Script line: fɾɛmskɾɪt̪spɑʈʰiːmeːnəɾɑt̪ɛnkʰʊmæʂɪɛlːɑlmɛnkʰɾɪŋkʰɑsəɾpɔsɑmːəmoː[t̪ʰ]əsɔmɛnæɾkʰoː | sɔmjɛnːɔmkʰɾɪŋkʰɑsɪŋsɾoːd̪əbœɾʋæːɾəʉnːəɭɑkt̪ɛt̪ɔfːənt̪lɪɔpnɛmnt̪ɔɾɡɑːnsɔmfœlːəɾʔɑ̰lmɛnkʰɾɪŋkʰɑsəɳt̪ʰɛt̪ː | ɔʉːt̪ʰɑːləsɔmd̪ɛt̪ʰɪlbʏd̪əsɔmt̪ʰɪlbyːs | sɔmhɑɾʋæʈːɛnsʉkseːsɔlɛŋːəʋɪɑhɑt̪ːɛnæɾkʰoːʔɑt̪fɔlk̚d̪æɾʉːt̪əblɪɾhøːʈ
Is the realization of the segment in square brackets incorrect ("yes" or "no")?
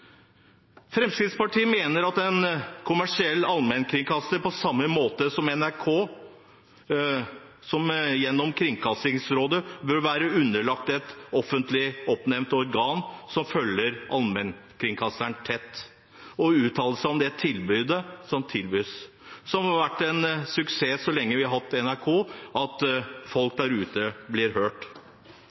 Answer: yes